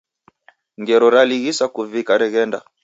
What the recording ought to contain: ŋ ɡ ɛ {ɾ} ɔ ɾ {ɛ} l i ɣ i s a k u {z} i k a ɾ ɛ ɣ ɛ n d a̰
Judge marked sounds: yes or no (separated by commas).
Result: yes, no, no